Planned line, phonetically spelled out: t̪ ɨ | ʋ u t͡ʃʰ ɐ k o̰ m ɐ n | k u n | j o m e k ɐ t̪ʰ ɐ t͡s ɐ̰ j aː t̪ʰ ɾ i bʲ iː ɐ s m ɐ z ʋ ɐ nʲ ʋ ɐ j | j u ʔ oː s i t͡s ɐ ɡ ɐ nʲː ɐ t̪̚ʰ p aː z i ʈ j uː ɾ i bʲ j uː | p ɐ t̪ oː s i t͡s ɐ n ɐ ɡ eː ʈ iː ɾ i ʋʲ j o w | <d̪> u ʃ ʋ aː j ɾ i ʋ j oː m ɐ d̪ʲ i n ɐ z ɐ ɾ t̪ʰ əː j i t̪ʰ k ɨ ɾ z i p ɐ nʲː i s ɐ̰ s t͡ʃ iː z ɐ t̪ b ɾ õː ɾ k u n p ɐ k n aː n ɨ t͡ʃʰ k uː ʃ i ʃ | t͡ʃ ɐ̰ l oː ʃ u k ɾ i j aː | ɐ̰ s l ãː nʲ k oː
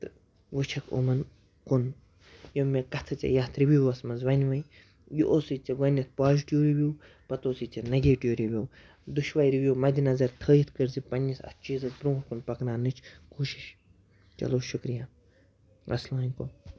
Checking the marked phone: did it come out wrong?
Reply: no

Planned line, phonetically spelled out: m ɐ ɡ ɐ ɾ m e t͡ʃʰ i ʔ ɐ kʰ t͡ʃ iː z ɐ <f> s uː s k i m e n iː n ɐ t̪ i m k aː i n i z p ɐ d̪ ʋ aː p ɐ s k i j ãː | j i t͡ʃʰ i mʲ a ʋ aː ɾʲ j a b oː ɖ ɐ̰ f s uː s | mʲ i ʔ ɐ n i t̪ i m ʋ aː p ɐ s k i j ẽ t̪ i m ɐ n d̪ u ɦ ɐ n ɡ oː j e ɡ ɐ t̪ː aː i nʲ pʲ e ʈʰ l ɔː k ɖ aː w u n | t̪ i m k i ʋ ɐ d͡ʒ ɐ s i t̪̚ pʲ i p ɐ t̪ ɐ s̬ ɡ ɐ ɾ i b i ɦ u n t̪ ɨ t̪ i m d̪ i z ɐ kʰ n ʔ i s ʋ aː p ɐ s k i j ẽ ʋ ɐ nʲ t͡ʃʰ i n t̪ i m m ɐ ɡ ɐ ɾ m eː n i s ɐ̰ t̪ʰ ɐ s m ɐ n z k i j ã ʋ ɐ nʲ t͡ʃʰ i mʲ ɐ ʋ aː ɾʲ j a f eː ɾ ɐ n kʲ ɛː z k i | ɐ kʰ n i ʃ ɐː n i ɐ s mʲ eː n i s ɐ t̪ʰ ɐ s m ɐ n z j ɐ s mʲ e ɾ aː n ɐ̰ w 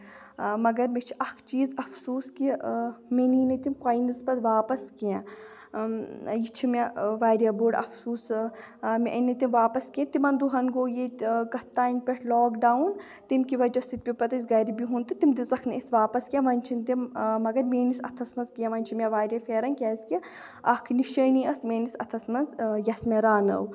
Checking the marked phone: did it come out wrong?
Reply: no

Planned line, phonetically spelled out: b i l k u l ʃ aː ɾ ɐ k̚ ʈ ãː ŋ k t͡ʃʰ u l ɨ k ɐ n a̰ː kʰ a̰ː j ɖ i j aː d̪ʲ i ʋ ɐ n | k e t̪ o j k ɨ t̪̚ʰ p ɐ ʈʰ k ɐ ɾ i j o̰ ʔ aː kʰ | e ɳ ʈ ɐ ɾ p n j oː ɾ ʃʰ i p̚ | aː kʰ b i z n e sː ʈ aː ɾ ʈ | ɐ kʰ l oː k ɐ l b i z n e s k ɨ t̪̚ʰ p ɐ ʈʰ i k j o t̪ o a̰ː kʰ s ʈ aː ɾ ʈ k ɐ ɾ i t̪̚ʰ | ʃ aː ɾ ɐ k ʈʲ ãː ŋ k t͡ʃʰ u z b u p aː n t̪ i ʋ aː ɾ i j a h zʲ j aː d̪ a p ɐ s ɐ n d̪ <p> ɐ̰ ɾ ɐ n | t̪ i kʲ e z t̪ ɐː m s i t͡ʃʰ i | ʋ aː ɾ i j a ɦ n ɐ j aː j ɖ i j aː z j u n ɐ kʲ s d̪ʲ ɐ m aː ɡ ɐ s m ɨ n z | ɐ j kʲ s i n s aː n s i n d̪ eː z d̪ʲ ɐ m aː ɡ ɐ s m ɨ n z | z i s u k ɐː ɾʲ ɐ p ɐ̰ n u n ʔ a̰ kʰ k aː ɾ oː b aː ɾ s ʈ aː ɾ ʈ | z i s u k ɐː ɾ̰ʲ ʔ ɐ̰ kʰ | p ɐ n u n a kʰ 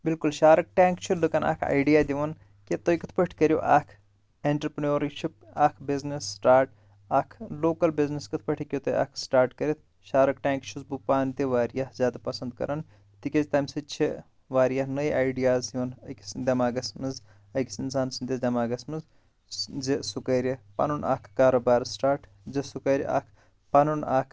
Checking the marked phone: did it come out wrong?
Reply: yes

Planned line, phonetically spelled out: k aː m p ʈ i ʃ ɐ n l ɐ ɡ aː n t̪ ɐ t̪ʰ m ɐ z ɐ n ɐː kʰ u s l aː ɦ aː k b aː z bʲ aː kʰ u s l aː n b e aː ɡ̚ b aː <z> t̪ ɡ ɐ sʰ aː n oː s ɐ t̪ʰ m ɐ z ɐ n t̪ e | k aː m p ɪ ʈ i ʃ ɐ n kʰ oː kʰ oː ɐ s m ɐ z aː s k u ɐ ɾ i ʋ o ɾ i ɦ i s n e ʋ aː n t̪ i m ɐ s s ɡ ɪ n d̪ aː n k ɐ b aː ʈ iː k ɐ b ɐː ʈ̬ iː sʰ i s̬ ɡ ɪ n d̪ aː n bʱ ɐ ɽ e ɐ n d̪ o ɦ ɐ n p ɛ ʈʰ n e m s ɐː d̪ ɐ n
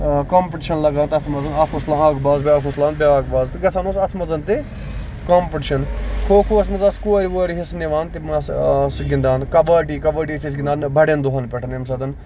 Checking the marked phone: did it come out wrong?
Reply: no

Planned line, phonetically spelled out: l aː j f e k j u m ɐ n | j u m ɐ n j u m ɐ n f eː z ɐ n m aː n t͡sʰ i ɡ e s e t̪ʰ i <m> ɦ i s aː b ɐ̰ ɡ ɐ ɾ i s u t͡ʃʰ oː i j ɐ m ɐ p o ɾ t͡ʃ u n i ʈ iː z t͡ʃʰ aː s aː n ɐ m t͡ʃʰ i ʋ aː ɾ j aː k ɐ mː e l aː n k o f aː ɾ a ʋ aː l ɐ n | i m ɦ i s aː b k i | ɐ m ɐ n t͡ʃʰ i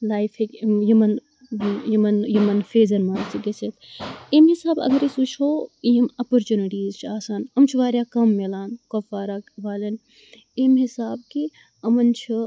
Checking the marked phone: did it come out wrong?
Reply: no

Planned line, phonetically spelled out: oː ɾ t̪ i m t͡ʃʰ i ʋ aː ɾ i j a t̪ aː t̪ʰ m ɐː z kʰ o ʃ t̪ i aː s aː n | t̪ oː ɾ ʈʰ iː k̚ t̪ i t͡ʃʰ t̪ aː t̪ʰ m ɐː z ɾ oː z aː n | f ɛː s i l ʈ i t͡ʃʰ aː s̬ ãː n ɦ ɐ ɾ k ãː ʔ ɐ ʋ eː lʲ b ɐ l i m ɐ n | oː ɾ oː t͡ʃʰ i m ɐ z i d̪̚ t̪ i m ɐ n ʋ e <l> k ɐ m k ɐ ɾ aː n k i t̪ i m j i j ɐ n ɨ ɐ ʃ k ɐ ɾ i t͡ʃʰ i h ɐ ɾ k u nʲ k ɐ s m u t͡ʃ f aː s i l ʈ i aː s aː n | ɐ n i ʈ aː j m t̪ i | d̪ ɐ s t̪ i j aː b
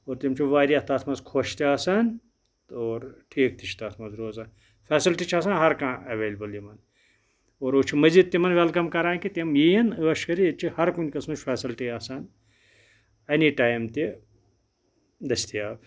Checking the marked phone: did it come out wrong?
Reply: no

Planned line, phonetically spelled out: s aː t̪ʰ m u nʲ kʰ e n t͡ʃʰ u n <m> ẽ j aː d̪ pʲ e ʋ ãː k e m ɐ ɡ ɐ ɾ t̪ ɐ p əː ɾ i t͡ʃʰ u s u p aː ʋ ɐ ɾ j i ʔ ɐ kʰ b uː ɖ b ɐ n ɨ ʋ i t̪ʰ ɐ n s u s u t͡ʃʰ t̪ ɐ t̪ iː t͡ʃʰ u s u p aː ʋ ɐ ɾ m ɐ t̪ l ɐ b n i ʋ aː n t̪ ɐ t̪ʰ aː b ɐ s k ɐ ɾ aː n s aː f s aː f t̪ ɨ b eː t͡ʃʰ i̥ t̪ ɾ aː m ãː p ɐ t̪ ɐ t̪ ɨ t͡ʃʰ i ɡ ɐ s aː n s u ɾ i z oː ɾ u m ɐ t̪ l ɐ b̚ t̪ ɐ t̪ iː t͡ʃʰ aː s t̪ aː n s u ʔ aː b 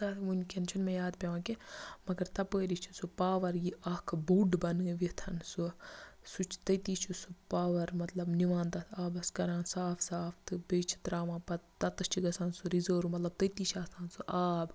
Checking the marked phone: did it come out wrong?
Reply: no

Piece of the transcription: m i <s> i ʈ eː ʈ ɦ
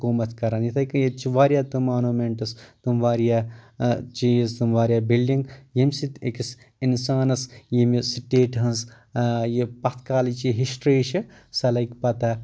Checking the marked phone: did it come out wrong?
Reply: no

